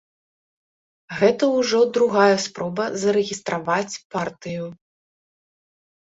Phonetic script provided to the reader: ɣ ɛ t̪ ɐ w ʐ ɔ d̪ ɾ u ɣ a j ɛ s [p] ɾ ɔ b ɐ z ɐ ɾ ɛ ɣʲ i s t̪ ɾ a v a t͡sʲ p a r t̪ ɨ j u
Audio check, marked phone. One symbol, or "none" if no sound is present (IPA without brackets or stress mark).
p